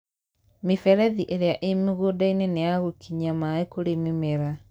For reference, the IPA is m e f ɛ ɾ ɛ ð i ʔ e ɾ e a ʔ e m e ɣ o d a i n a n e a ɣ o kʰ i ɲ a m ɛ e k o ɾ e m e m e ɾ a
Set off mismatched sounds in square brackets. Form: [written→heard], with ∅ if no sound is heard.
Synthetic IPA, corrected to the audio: m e f ɛ ɾ ɛ ð i ʔ e ɾ e a ʔ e m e ɣ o d a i n [a→e] n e a ɣ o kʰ i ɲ a m [ɛ→a] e k o ɾ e m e m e ɾ a